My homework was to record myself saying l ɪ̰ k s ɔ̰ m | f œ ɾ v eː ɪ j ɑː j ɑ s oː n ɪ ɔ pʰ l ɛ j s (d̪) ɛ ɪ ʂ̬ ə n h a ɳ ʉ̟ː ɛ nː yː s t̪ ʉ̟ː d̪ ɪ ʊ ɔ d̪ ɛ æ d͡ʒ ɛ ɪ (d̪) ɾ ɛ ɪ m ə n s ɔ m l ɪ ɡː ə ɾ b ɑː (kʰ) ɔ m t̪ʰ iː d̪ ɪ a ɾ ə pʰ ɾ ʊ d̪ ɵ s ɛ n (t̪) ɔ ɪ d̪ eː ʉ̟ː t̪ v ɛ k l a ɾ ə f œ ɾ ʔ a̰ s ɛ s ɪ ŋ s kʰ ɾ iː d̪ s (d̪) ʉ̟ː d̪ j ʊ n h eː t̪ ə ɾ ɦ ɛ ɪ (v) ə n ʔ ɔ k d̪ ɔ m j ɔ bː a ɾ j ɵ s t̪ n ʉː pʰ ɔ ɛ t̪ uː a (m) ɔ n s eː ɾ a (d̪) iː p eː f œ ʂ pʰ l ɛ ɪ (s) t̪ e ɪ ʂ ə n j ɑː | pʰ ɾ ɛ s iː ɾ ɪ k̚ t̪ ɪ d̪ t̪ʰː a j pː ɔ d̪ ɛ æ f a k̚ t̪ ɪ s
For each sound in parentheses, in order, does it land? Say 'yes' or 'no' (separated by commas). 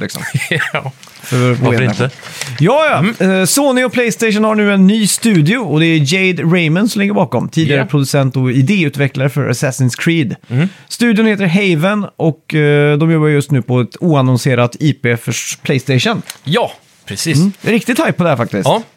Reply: no, yes, no, yes, no, yes, no, no, yes